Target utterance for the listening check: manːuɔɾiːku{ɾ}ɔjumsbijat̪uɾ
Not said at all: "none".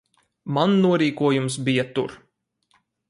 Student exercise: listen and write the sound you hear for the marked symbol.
none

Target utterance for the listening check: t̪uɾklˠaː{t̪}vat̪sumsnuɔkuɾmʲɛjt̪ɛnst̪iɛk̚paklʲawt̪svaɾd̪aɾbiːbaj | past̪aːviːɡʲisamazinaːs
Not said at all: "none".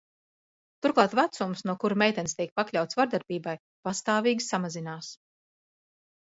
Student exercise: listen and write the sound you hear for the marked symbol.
t̪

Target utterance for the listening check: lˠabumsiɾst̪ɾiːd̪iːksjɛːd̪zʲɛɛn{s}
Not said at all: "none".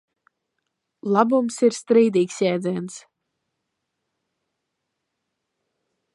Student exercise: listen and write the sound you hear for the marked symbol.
s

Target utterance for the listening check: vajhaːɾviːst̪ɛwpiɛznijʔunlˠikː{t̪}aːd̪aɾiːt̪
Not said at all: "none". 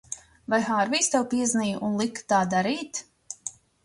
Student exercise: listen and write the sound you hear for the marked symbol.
t̪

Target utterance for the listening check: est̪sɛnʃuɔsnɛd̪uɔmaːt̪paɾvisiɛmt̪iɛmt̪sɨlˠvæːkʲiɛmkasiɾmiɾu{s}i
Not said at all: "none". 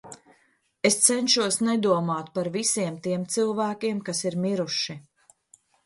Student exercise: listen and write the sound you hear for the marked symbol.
ʃ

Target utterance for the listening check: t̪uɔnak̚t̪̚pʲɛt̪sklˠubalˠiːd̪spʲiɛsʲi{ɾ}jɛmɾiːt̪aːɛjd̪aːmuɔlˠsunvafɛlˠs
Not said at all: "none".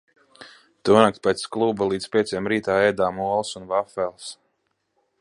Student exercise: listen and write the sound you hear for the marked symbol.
none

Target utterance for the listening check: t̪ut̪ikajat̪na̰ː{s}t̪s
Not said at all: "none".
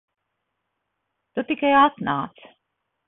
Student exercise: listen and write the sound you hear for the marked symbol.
none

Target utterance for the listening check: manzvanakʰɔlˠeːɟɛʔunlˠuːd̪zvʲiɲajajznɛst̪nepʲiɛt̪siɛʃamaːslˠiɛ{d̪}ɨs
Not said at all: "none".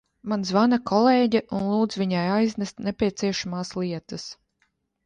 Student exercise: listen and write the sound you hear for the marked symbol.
t̪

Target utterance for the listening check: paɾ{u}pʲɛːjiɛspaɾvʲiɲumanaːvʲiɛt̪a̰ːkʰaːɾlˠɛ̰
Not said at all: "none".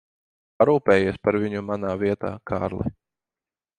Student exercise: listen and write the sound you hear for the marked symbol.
uː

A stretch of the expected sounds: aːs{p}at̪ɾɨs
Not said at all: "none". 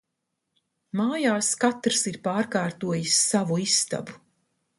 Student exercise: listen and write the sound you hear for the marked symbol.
k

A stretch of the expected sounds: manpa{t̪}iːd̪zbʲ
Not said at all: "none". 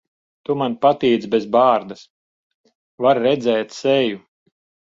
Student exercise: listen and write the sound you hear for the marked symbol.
t̪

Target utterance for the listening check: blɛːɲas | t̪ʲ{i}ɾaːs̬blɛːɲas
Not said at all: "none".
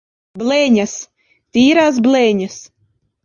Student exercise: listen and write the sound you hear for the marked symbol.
iː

